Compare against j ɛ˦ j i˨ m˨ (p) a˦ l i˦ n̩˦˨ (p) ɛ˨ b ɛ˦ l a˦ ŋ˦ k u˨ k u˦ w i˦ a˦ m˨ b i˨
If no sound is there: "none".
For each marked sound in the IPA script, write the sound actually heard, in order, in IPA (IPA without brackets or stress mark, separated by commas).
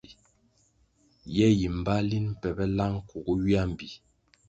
b, p